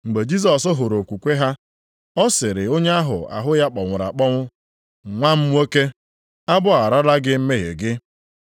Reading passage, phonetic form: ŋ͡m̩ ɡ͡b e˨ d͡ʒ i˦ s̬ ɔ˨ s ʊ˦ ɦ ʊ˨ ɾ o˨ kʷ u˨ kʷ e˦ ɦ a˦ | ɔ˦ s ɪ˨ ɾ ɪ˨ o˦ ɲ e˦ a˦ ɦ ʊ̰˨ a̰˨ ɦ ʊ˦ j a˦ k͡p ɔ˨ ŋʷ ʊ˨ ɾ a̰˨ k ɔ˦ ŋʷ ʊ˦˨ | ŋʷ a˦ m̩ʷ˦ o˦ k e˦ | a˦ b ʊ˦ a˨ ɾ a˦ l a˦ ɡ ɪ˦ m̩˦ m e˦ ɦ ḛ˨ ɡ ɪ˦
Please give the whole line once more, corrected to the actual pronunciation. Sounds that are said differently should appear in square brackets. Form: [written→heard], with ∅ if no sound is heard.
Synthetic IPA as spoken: ŋ͡m̩ ɡ͡b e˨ d͡ʒ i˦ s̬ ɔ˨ s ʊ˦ ɦ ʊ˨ ɾ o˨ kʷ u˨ kʷ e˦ ɦ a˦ | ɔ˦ s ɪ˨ ɾ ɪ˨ o˦ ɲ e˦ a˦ ɦ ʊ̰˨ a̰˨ ɦ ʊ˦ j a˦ k͡p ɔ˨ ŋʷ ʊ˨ ɾ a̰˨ [k→k͡p] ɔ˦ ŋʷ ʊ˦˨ | ŋʷ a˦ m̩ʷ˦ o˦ k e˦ | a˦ b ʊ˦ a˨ ɾ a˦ l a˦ ɡ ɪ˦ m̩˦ m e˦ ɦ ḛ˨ ɡ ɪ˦

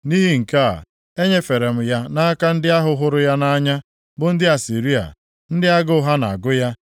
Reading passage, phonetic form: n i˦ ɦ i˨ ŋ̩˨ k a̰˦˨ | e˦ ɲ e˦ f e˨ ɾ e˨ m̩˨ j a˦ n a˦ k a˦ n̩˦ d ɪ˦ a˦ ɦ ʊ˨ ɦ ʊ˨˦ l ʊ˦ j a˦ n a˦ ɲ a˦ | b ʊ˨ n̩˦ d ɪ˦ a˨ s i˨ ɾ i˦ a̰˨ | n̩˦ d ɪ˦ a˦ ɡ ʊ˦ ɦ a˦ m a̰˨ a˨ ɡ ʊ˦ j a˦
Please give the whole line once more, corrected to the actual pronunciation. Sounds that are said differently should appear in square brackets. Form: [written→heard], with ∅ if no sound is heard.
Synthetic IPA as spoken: n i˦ ɦ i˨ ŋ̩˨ k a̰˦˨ | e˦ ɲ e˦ f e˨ ɾ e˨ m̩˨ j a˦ n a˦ k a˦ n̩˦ d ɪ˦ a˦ ɦ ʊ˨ ɦ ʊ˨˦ [l→ɾ] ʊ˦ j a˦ n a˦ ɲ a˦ | b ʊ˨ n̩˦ d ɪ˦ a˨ s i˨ ɾ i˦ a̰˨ | n̩˦ d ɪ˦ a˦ ɡ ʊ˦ ɦ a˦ [m→n] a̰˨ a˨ ɡ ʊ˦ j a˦

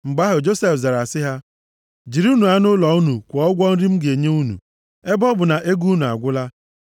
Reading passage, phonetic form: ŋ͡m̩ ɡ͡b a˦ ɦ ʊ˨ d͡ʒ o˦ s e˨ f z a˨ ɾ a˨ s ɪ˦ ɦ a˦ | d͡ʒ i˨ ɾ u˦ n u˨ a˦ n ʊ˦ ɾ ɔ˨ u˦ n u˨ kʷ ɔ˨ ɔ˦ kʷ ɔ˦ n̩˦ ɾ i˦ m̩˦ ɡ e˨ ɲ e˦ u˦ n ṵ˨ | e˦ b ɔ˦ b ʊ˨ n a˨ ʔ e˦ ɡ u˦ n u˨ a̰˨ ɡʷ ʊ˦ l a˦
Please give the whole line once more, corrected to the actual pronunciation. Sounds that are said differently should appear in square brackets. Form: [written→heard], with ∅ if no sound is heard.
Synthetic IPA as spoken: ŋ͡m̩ ɡ͡b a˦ ɦ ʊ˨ d͡ʒ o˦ s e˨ f z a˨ ɾ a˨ s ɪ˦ ɦ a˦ | d͡ʒ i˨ ɾ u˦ n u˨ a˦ n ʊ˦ [ɾ→l] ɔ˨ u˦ n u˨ kʷ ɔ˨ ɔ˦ [kʷ→ɡʷ] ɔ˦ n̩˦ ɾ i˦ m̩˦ ɡ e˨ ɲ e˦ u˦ n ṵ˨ | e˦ b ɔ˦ b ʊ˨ n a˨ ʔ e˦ ɡ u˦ n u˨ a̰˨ ɡʷ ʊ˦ l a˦

